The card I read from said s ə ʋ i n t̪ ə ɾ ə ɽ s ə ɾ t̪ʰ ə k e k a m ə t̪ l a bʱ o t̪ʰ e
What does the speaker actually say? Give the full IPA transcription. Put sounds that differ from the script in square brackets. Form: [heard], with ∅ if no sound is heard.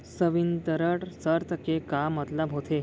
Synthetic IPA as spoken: s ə ʋ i n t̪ ə ɾ ə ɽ s ə ɾ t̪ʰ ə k e k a m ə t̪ l a bʱ o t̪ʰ e